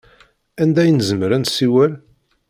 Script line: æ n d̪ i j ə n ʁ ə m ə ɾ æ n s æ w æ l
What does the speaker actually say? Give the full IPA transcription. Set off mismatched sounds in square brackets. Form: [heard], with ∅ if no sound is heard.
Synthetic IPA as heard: æ n d̪ [æ] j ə n [z] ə m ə ɾ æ n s [i] w æ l

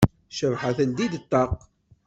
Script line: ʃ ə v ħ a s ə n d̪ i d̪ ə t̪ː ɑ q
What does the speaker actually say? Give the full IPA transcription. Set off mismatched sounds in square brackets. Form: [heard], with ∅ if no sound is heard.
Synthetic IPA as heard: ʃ ə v ħ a [θ] ə n d̪ i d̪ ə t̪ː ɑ q

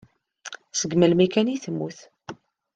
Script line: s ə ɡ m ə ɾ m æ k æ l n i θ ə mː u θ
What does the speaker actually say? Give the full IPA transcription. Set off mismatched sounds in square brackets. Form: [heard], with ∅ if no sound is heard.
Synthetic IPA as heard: s ə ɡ m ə [l] m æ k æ [∅] n i θ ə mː u θ

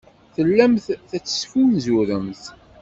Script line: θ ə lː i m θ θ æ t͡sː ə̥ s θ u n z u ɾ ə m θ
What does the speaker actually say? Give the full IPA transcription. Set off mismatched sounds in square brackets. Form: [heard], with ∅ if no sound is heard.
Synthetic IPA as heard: θ ə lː [æ] m θ θ æ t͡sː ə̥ s [f] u n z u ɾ ə m θ

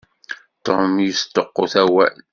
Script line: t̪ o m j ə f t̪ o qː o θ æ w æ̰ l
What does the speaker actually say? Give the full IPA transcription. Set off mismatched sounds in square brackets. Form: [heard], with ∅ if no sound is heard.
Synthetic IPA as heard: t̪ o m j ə [s] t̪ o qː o θ æ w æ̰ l

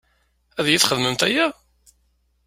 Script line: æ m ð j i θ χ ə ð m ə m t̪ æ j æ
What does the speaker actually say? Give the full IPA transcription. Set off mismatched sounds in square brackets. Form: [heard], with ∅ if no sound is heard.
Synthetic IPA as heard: æ [∅] ð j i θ χ ə ð m ə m t̪ æ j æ

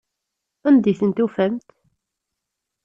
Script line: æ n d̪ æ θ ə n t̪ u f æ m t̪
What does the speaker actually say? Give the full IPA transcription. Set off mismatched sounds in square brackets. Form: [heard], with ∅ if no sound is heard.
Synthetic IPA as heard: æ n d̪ [i] θ ə n t̪ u f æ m t̪

